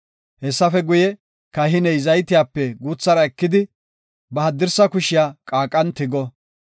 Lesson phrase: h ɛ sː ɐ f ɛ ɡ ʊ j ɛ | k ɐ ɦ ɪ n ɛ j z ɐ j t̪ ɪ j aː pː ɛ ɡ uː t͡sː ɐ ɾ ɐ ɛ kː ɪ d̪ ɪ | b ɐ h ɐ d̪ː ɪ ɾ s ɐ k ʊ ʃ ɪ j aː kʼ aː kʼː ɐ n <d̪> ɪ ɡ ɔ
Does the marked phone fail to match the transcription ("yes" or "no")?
yes